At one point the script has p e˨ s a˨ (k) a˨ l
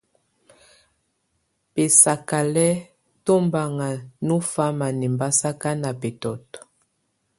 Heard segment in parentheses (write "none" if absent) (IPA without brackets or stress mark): k